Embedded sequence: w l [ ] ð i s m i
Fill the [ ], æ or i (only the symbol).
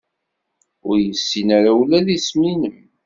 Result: æ